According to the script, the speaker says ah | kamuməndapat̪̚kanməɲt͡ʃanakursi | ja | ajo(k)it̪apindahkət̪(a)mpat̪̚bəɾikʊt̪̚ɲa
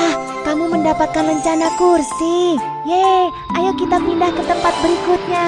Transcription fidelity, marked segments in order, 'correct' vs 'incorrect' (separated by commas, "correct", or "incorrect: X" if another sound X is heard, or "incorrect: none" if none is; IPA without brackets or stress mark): correct, incorrect: ə